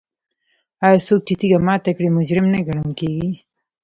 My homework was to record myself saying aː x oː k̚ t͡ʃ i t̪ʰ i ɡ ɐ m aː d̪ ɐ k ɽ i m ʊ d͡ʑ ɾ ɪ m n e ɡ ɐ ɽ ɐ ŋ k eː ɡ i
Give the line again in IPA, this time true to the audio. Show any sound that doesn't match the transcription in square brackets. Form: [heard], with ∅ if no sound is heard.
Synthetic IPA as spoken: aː [s] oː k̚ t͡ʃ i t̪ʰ i ɡ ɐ m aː [t̪] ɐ k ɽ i m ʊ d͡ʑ ɾ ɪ m n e ɡ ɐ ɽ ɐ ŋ k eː ɡ i